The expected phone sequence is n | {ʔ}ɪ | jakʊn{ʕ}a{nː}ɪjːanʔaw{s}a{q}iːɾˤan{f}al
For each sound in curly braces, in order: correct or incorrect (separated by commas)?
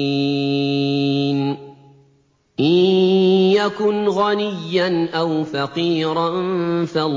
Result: correct, incorrect, incorrect, incorrect, correct, correct